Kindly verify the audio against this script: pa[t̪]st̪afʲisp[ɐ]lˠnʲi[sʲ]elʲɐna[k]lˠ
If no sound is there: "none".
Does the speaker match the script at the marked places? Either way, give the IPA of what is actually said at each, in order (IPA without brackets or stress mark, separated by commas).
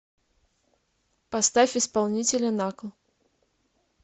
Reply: none, a, t͡sʲ, k